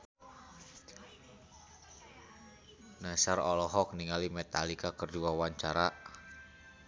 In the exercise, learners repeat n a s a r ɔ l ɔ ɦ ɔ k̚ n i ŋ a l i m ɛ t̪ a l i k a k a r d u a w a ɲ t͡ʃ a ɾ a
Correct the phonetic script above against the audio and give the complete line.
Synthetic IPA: n a s a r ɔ l ɔ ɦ ɔ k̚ n i ŋ a l i m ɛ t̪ a l i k a k ə r d u a w a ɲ t͡ʃ a ɾ a